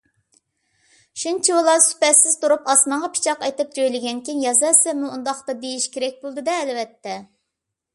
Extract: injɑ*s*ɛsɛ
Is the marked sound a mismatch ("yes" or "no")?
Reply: yes